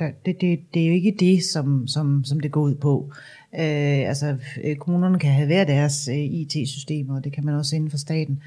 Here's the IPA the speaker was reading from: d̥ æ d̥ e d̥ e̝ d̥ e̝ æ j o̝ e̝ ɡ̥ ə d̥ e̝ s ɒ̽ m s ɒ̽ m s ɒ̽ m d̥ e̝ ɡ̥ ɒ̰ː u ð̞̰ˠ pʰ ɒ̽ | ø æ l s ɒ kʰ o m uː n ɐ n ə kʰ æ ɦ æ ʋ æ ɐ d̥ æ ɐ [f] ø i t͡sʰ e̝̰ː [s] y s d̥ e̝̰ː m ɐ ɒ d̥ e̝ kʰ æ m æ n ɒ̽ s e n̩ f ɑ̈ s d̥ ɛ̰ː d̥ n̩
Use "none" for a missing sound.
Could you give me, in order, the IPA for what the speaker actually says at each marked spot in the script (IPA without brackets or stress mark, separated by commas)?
s, s